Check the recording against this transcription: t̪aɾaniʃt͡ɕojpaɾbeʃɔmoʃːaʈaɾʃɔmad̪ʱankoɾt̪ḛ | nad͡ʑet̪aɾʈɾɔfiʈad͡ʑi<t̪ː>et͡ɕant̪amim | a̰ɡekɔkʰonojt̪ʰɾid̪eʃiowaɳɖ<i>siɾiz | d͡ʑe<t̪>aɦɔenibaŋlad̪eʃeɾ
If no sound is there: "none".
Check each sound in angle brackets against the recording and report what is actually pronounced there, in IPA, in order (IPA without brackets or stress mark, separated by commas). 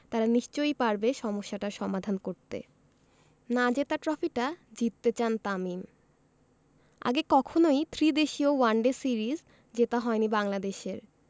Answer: t̪ː, e, t̪